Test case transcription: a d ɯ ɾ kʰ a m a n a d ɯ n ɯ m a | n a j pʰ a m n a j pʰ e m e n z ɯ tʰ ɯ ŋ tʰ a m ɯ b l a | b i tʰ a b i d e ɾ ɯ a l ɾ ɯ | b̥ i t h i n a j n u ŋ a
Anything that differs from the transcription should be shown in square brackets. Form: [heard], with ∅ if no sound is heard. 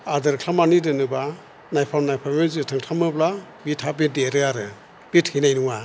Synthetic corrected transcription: a d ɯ ɾ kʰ a m a n [i] d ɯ n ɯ [b] a | n a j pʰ a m n a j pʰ [a] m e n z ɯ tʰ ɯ ŋ tʰ a m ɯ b l a | b i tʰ a b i d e ɾ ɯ a [∅] ɾ ɯ | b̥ i t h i n a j n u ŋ a

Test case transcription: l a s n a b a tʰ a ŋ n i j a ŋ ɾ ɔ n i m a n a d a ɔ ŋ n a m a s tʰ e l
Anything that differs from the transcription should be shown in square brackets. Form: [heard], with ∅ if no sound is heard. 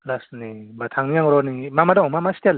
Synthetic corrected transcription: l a s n [i] b a tʰ a ŋ n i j a ŋ ɾ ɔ n i m a [m] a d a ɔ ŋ [m] a m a s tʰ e l

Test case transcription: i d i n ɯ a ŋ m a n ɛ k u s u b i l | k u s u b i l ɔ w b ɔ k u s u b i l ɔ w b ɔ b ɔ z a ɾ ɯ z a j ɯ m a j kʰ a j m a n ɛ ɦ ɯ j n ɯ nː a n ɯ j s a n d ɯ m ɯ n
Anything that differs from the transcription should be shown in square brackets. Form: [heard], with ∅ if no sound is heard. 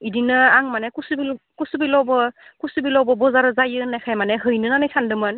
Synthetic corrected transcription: i d i n ɯ a ŋ m a n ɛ k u s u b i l | k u s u b i l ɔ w b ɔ k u s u b i l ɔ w b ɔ b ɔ z a ɾ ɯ z a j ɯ [n] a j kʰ a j m a n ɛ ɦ ɯ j n ɯ [n] a n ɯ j s a n d ɯ m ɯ n

